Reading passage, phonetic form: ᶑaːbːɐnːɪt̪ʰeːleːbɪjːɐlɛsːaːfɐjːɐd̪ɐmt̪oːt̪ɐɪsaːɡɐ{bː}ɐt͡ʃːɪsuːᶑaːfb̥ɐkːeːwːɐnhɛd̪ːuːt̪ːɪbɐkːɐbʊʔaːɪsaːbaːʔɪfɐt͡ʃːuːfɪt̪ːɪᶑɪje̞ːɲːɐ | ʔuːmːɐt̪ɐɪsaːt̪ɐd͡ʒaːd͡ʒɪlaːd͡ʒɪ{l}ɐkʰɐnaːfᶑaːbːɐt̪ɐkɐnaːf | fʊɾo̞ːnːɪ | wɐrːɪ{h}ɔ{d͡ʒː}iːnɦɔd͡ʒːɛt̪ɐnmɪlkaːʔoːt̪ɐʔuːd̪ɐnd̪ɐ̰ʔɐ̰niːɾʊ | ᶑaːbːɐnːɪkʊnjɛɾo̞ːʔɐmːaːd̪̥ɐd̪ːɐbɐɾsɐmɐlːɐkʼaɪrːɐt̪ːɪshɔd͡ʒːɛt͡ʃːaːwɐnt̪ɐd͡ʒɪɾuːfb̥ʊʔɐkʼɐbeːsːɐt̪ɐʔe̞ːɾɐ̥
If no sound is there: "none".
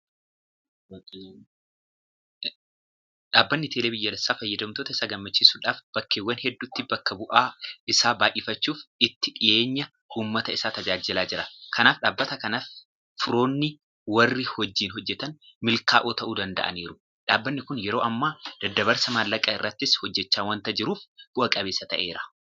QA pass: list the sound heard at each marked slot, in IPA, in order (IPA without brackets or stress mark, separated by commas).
mː, ɾ, h, d͡ʒː